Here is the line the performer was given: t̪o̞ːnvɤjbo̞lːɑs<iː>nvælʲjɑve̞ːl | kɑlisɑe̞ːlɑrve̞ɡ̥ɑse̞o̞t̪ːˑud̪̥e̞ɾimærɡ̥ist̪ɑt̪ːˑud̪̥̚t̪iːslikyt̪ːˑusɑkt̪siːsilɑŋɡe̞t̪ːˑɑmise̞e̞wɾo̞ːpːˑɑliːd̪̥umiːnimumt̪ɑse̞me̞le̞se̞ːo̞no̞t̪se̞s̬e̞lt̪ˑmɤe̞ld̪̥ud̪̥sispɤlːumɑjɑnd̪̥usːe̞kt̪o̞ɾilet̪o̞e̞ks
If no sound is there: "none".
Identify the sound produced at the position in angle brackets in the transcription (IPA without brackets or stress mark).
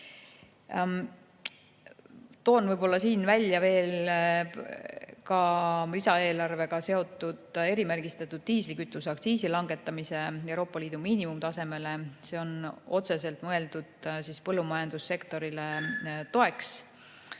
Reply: iː